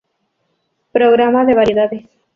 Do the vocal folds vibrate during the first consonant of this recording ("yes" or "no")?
no